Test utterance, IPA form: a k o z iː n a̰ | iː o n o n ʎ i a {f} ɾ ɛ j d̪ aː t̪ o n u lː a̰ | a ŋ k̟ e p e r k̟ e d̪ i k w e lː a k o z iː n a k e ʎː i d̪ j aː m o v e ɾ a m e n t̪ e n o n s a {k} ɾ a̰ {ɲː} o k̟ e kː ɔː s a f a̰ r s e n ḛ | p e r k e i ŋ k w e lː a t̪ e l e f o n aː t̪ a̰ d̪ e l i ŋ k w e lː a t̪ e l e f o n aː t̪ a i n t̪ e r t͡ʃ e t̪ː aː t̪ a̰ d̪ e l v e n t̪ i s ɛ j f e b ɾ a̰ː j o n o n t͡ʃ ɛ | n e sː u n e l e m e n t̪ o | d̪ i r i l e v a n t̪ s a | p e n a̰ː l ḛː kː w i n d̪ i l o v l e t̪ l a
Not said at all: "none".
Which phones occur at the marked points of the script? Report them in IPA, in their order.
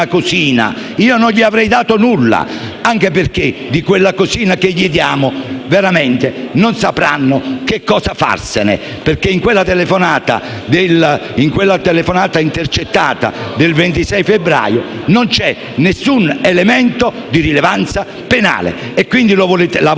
v, p, nː

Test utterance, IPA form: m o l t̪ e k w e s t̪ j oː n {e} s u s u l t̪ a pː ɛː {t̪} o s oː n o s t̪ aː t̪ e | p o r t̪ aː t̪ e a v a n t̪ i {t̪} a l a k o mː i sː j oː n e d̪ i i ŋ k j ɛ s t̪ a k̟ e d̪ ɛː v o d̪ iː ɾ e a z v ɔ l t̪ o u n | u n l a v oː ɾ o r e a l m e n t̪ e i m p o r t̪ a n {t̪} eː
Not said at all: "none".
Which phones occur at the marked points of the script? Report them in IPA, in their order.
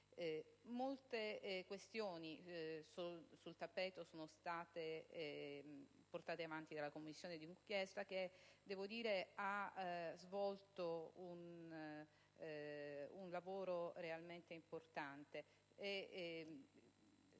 i, t̪, d̪, t̪

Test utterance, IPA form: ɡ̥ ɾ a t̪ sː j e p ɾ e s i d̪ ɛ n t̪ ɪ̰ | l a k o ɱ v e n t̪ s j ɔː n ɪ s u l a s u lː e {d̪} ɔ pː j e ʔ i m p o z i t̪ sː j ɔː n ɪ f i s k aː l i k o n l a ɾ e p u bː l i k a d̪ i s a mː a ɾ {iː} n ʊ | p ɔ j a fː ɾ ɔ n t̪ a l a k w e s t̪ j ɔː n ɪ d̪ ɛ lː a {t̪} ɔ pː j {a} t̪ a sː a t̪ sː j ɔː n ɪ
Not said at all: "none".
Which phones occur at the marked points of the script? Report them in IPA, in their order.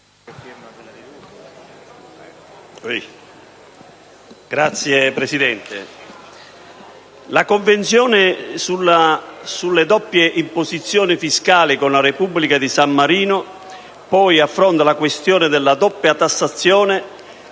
d̪, iː, d̪, a

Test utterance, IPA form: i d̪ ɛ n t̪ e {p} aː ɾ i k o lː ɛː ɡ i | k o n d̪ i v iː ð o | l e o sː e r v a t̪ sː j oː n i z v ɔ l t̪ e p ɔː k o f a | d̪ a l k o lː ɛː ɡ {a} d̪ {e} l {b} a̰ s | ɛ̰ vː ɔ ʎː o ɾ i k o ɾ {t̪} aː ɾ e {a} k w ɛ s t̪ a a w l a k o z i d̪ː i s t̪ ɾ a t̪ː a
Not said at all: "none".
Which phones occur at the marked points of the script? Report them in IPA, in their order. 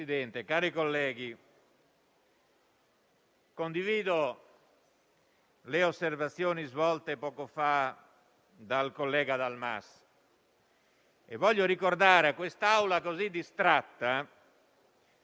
k, a, a, m, d̪, a

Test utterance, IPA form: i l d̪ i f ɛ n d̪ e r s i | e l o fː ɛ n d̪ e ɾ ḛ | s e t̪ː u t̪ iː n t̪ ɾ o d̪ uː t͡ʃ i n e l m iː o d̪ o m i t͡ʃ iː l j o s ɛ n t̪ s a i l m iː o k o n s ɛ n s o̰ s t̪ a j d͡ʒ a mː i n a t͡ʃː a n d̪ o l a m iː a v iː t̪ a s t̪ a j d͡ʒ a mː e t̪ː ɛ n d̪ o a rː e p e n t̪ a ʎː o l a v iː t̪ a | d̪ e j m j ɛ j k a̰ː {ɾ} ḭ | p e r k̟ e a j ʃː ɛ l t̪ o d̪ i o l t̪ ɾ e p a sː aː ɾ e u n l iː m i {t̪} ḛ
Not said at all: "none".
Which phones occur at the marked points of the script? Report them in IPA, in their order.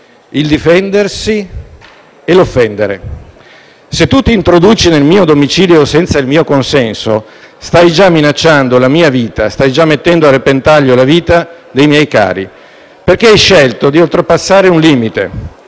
ɾ, t̪

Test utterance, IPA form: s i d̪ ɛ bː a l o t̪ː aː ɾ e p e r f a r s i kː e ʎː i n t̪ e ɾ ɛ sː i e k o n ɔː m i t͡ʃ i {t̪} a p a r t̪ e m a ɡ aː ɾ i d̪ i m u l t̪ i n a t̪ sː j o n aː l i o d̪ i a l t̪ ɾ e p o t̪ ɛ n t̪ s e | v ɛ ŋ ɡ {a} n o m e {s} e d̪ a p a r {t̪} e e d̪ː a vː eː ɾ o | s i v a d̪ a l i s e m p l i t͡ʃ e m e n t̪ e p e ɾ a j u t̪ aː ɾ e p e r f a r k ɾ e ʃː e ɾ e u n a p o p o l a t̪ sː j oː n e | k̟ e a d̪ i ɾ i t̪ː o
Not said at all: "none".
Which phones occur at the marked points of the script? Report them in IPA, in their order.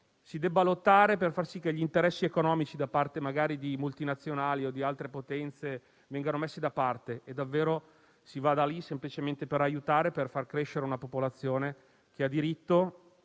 d̪, a, sː, t̪

